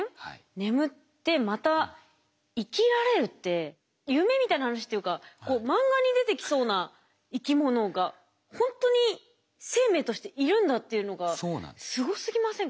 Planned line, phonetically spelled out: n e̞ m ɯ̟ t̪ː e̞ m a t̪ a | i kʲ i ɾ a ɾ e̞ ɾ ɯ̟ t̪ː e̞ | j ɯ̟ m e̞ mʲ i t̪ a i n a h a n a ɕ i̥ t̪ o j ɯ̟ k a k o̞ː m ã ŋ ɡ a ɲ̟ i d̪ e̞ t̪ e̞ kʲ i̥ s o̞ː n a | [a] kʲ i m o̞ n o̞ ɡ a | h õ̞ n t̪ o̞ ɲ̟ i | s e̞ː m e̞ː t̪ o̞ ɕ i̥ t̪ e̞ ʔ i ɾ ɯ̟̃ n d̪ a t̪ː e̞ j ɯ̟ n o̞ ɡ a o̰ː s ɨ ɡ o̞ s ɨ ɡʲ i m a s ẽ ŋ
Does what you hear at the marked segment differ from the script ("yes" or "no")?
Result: yes